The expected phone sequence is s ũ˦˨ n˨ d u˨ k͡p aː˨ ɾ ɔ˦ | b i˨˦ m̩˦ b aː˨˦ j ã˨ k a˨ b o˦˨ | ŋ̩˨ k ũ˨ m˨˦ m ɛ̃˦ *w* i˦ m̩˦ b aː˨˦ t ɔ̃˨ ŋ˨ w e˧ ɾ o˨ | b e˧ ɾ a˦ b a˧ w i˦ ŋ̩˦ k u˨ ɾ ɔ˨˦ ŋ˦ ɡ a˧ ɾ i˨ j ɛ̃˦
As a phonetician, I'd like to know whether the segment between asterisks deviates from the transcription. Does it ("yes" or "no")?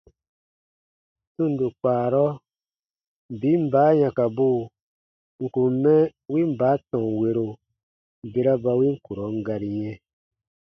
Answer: no